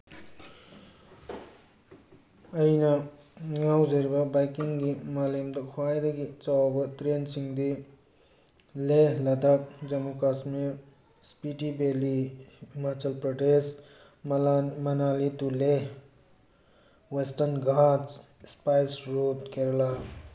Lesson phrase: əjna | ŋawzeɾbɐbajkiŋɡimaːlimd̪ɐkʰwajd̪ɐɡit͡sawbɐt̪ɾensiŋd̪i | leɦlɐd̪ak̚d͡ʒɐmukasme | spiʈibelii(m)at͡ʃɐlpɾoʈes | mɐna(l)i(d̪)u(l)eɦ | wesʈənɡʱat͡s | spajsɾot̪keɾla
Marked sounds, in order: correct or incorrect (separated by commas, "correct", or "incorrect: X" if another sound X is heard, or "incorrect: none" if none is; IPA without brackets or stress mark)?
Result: correct, correct, incorrect: t̪, correct